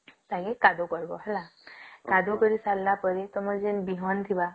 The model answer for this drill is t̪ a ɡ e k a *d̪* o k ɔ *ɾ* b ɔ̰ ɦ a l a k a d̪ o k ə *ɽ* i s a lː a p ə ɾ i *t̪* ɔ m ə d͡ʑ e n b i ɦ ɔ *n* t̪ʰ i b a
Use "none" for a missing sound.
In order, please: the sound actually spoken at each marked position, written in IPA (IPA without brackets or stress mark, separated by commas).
d̪, ɾ, ɾ, t̪, n